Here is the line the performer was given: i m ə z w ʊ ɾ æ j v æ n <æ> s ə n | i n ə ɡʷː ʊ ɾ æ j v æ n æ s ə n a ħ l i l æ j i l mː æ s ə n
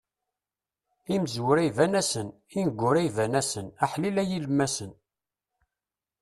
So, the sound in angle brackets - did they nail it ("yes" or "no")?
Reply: yes